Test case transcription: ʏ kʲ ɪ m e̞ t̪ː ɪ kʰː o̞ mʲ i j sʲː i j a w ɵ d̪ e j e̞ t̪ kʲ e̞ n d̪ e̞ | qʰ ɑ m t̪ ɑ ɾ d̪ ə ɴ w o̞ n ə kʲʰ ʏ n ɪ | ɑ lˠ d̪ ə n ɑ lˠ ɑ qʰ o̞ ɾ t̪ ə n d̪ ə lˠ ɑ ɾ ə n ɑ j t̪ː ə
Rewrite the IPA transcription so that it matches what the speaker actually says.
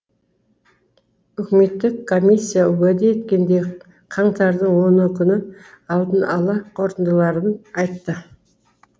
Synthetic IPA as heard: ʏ kʲ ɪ m e̞ t̪ː ɪ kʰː o̞ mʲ i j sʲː i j a w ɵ d̪ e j e̞ t̪ kʲ e̞ n d̪ e̞ | qʰ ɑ ɴ t̪ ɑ ɾ d̪ ə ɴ w o̞ n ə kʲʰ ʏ n ɪ | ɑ lˠ d̪ ə n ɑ lˠ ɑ qʰ o̞ ɾ t̪ ə n d̪ ə lˠ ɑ ɾ ə n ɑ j t̪ː ə